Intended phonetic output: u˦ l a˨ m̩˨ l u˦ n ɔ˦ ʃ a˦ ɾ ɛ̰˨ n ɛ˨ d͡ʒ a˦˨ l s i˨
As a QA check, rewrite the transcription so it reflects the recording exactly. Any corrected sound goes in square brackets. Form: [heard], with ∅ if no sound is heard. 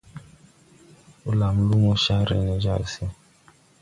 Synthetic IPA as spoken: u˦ l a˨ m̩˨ l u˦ [m] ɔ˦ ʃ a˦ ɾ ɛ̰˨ n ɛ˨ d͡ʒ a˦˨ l s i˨